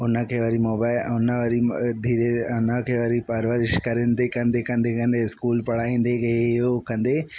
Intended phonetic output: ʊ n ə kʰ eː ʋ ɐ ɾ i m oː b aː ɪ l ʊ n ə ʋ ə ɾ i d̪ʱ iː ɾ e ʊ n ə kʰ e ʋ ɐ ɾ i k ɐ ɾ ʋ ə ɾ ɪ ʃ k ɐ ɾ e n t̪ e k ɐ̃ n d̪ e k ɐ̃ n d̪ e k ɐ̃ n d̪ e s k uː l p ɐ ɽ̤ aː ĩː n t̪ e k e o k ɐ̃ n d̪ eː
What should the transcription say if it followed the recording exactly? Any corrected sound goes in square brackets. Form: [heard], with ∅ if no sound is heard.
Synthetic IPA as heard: ʊ n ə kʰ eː ʋ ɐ ɾ i m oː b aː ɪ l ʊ n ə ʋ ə ɾ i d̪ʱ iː ɾ e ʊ n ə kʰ e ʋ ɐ ɾ i [p] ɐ ɾ ʋ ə ɾ ɪ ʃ k ɐ ɾ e n [d̪] e k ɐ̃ n d̪ e k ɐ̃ n d̪ e k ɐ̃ n d̪ e s k uː l p ɐ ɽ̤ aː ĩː n [d̪] e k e o k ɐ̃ n d̪ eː